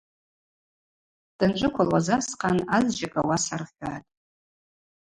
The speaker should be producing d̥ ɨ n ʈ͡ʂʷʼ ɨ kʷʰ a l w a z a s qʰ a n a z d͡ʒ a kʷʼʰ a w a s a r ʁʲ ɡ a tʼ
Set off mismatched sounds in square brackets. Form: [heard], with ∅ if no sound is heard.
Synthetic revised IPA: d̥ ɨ n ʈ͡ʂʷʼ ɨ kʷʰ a l w a z a s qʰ a n a z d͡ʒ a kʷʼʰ a w a s a r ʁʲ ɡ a tʼ